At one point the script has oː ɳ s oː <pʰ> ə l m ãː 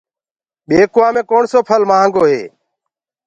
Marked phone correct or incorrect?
correct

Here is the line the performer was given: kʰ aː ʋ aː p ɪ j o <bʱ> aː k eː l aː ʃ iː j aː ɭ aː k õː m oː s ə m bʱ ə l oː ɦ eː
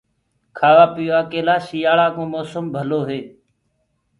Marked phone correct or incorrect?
incorrect: none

